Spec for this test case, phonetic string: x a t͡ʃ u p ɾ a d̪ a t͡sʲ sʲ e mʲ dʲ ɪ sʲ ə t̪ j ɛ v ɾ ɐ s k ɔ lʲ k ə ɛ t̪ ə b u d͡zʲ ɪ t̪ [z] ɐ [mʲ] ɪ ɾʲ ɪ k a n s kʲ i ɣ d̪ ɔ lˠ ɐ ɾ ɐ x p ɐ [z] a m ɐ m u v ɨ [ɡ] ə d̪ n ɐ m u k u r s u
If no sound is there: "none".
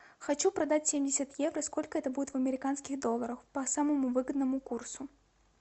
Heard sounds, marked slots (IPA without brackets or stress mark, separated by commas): v, mʲ, s, ɡ